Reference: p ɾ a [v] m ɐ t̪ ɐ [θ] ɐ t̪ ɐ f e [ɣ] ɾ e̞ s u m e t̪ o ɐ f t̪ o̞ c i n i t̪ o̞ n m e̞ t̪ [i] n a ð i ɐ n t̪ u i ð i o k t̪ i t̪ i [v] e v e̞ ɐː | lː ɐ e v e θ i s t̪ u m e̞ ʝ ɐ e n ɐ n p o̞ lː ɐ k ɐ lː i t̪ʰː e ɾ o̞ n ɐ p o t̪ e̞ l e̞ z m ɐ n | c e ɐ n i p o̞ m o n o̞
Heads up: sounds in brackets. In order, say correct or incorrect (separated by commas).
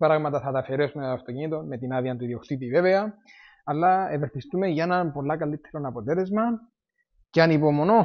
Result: incorrect, correct, incorrect, correct, correct